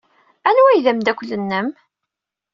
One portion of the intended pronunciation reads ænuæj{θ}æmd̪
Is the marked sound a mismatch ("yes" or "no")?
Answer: yes